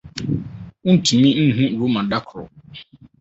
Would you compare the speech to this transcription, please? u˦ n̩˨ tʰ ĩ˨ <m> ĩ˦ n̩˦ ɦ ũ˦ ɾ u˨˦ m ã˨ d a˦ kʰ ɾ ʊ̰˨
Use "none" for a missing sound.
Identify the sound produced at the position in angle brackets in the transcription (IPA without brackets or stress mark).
m